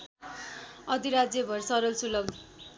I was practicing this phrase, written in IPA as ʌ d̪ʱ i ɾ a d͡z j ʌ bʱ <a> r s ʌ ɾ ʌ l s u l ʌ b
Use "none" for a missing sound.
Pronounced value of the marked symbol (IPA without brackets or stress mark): ʌ